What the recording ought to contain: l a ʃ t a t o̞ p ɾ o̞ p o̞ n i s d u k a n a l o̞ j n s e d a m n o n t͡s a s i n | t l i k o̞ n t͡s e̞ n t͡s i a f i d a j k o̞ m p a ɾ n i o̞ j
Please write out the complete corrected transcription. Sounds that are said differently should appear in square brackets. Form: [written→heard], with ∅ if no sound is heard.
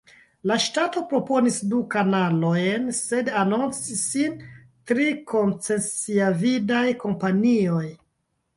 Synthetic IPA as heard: l a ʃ t a t o̞ p ɾ o̞ p o̞ n i s d u k a n a l o̞ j n s e d a [m→∅] n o n t͡s [a→i] s i n | t [l→ɾ] i k o̞ n t͡s e̞ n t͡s i a [f→v] i d a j k o̞ m p a [ɾ→∅] n i o̞ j